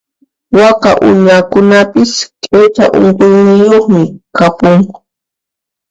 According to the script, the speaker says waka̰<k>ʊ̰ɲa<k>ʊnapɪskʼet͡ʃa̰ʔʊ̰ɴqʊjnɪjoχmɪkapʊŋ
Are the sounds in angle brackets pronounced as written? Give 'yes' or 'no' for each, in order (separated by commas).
no, yes